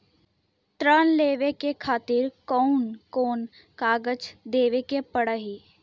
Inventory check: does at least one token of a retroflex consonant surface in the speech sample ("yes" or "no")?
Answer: yes